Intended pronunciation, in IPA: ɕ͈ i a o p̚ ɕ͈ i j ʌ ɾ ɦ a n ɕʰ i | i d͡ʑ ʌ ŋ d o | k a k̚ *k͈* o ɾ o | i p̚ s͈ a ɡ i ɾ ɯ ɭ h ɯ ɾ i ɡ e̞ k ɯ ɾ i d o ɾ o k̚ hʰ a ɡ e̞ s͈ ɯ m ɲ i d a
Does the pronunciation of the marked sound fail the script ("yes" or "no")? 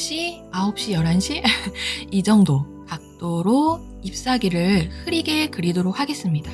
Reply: yes